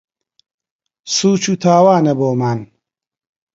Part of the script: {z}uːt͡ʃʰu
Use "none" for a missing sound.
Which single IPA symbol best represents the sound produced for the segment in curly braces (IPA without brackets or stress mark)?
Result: s